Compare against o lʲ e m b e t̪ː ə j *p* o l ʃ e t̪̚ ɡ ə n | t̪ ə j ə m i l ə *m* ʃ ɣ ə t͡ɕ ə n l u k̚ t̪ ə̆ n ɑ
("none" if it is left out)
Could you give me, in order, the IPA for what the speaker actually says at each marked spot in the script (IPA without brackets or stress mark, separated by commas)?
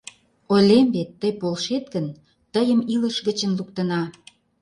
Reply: p, none